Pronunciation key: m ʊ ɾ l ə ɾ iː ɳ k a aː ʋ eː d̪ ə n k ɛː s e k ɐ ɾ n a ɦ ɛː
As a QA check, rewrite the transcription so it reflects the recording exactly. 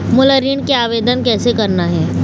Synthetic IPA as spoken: m ʊ l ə ɾ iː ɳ k e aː ʋ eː d̪ ə n k ɛː s e k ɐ ɾ n a ɦ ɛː